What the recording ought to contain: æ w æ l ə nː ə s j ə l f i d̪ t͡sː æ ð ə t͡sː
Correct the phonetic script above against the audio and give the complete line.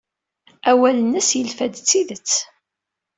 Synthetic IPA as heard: æ w æ l ə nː ə s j ə l f æ d̪ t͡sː i ð ə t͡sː